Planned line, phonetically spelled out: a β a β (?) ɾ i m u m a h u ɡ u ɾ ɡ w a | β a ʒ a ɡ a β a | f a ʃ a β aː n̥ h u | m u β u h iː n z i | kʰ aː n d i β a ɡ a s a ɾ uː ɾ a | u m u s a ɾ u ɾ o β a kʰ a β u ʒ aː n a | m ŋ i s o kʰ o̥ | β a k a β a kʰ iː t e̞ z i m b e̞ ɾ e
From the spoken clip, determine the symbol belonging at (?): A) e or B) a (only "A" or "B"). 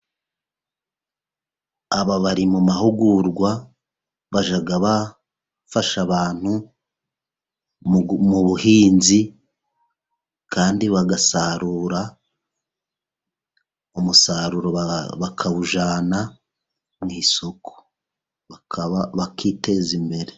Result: B